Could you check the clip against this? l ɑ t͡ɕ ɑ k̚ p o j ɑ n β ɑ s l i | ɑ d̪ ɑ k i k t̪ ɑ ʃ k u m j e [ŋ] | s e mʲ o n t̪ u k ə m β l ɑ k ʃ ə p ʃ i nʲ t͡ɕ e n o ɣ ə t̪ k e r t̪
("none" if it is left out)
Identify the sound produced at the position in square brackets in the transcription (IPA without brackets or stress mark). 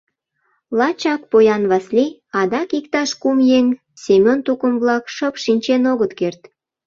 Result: ŋ